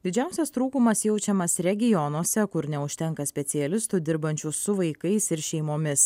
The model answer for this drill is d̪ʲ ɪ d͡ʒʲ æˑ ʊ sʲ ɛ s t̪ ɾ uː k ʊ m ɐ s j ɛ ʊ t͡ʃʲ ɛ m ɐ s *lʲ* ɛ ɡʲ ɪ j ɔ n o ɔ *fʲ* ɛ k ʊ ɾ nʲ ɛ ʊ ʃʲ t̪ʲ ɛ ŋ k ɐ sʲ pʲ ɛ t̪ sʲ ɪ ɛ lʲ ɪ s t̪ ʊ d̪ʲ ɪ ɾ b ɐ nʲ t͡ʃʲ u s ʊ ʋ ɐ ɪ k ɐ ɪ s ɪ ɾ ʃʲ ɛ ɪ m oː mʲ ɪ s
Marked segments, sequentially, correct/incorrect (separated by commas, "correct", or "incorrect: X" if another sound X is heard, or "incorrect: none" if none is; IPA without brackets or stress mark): incorrect: ɾʲ, incorrect: sʲ